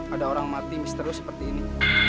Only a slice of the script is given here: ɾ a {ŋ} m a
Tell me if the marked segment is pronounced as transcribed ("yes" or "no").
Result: yes